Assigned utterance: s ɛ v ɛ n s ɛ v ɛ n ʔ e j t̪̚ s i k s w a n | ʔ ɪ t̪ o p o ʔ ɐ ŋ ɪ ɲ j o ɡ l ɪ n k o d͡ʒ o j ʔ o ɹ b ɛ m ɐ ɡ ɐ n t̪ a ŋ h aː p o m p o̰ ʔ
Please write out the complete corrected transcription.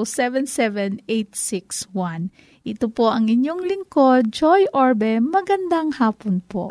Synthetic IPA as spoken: s ɛ v ɛ n s ɛ v ɛ n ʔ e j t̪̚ s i k s w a n | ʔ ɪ t̪ o p o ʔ ɐ ŋ ɪ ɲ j o ŋ l ɪ ŋ k o d͡ʒ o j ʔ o ɹ b ɛ m ɐ ɡ ɐ n d̪ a ŋ h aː p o n p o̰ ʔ